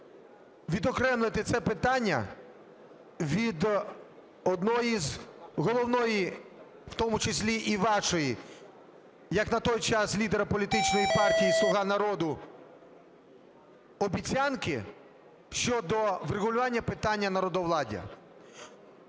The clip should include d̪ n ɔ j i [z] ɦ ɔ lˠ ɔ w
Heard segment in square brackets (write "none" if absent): z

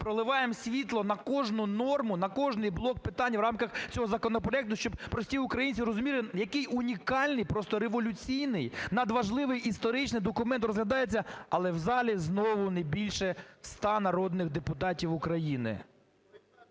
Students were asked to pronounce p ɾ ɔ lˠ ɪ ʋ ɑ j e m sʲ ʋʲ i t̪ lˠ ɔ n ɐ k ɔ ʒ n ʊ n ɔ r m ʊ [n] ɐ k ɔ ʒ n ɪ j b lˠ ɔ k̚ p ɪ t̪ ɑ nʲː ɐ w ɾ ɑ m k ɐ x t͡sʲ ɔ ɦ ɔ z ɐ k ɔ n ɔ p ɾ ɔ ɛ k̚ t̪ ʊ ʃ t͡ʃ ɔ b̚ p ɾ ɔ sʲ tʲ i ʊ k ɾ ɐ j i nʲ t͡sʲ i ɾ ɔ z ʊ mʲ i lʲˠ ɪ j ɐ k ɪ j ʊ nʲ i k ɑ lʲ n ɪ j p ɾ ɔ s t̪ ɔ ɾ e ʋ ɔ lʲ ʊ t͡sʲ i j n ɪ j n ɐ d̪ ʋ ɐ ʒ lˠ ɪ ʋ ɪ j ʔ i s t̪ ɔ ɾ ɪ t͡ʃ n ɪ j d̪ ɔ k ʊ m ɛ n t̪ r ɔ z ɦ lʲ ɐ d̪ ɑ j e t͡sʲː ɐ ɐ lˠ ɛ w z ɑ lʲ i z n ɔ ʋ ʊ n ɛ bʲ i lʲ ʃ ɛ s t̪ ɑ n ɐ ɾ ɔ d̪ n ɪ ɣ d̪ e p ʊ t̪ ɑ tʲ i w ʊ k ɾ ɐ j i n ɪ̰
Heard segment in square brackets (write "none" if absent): n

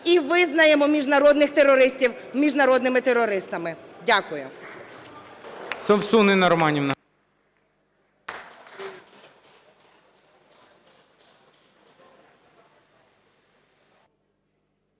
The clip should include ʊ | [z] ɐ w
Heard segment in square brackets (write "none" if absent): s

